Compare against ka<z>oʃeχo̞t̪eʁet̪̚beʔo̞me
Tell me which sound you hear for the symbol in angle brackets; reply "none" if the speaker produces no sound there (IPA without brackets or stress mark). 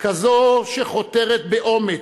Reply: z